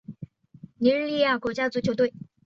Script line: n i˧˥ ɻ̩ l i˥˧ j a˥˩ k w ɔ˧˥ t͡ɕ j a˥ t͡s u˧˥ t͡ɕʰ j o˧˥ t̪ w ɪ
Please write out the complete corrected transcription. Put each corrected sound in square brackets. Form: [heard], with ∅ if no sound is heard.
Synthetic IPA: n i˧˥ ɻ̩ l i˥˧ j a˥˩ k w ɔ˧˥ t͡ɕ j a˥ t͡s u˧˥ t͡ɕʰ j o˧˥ t̪ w ɪ